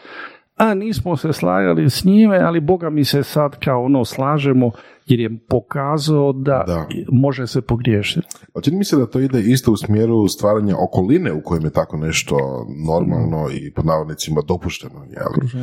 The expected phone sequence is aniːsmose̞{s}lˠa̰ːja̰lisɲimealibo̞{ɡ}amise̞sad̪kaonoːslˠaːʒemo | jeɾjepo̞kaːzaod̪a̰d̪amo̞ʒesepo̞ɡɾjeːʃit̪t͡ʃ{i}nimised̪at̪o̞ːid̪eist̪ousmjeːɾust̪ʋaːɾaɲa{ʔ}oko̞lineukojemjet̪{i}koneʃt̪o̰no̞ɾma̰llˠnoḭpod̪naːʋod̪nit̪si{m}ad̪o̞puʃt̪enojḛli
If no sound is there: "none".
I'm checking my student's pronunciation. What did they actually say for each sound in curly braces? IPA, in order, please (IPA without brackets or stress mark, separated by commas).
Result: s, ɡ, i, ʔ, a, m